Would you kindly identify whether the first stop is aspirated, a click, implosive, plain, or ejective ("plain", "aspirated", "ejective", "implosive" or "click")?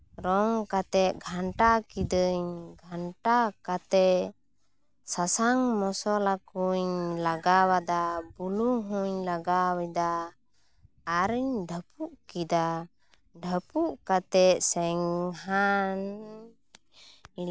plain